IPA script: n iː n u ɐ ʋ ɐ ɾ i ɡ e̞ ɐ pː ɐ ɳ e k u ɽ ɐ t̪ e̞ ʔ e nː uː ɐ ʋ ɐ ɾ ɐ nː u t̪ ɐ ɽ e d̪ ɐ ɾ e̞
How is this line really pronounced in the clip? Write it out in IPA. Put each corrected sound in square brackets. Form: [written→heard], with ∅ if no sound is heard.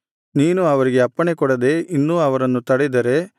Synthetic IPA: n iː n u ɐ ʋ ɐ ɾ i ɡ e̞ ɐ pː ɐ ɳ e k [u→ɔ] ɽ ɐ [t̪→d̪] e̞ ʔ [e→i] nː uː ɐ ʋ ɐ ɾ ɐ nː u t̪ ɐ ɽ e d̪ ɐ ɾ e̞